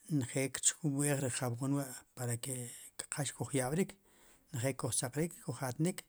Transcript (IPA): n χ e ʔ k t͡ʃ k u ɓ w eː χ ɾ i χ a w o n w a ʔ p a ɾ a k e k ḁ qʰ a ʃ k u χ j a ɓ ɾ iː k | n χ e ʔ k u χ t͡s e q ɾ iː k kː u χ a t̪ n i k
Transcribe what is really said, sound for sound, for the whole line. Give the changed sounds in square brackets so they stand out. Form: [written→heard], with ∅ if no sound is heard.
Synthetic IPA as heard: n χ e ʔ k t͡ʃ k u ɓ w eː χ ɾ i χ a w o n w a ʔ p a ɾ a k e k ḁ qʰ a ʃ k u χ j a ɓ ɾ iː k | n χ e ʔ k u χ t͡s [e→a] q ɾ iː k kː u χ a t̪ n i k